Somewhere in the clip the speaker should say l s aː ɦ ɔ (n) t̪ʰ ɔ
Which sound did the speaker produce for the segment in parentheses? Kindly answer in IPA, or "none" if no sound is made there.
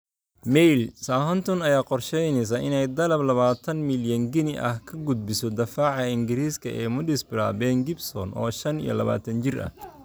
n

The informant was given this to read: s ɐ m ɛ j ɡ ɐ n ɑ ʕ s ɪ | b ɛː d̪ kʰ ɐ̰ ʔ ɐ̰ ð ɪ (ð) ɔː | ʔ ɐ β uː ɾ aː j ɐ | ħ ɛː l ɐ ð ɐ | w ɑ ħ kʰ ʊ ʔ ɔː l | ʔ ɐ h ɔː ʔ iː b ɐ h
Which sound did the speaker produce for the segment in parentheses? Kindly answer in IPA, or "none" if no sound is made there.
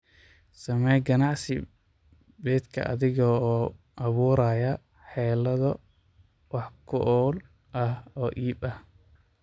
ɣ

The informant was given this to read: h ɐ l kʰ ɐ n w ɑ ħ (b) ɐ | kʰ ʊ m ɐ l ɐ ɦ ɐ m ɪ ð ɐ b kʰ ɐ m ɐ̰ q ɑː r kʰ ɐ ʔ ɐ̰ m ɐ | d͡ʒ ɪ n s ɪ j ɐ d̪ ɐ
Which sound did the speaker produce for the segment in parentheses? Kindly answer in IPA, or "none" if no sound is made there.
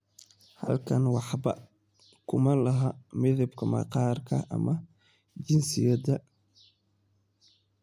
b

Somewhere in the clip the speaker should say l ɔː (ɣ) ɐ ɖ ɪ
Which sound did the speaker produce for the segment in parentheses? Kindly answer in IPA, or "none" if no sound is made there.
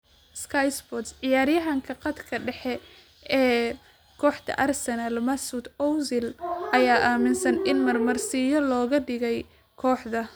ɣ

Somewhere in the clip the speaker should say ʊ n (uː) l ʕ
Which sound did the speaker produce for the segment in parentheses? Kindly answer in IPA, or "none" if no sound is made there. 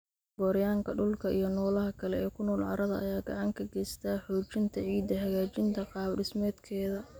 ɔː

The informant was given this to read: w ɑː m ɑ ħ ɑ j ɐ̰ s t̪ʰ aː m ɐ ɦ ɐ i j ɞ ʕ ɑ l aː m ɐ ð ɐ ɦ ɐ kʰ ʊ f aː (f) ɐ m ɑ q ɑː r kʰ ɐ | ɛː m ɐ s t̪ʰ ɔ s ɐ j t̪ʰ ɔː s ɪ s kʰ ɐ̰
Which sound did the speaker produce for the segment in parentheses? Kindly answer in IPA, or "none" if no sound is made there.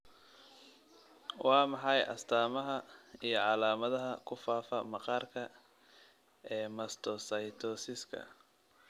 f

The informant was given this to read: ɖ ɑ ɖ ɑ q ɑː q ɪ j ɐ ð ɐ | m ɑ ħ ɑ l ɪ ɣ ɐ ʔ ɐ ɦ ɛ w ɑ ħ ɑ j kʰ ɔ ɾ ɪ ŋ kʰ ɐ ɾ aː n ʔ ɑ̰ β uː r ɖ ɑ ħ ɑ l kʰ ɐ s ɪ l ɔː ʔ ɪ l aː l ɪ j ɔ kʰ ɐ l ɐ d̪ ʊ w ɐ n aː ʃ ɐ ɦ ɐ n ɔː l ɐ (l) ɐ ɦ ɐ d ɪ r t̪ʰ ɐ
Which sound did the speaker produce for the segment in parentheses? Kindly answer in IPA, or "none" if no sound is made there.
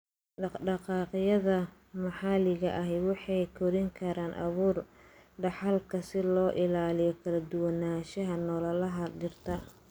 l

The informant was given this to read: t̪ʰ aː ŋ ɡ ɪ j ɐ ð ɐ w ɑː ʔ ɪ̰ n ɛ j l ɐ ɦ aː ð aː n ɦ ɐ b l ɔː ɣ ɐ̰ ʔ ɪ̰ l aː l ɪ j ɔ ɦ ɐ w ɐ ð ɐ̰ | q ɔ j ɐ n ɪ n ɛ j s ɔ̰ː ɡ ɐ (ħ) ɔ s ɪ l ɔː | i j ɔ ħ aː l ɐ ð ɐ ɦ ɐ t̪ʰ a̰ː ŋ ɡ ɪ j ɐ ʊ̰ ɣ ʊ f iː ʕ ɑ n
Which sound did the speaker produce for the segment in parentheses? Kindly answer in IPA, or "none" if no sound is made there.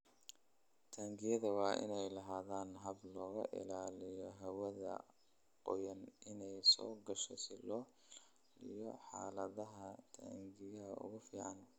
ʃ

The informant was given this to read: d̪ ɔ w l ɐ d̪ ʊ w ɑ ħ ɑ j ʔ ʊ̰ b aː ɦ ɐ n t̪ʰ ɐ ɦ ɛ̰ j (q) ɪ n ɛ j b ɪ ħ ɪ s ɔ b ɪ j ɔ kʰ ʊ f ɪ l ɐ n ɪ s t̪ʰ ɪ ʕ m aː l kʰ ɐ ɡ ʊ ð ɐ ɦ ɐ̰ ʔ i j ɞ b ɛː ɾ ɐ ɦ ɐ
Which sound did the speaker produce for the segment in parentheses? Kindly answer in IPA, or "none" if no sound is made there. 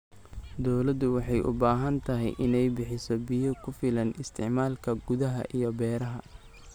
ʔ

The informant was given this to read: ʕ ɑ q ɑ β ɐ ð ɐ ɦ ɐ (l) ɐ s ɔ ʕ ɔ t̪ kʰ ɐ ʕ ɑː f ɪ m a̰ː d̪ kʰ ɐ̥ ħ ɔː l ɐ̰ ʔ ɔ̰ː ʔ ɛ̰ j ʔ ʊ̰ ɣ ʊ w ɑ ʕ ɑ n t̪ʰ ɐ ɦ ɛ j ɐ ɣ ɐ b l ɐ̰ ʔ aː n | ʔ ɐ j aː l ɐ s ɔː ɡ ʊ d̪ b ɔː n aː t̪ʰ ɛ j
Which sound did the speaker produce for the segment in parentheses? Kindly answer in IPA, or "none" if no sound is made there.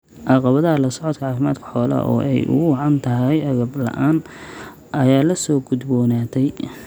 l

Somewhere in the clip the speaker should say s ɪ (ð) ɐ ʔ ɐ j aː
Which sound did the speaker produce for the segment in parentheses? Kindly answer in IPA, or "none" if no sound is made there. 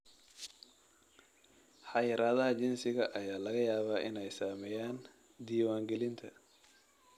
ɣ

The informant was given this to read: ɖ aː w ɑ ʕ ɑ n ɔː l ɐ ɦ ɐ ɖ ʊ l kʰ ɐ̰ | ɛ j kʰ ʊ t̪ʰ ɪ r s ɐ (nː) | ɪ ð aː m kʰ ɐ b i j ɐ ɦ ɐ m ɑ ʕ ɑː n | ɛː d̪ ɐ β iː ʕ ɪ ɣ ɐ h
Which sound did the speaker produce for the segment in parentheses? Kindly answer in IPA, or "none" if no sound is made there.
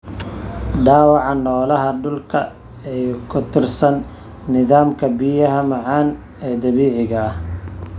nː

